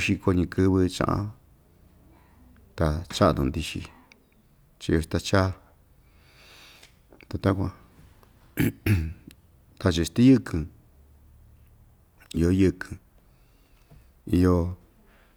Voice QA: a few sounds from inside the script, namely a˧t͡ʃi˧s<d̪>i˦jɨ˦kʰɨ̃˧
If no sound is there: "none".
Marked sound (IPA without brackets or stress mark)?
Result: t̪